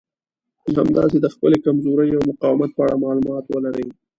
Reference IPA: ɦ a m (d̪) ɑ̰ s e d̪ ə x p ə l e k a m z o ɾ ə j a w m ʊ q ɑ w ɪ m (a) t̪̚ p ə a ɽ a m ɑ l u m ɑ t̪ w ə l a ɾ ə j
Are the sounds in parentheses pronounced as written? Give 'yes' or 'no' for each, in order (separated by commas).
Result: yes, yes